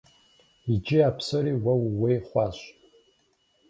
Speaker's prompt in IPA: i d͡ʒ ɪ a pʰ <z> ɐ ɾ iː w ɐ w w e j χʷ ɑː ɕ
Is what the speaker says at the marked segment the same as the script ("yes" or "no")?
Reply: no